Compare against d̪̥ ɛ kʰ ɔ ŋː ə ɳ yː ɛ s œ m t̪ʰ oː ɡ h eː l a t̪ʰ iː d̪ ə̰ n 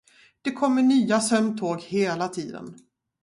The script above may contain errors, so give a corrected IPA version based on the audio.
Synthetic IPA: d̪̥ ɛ kʰ ɔ mː ə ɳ yː a s œ m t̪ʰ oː ɡ h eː l a t̪ʰ iː d̪ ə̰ n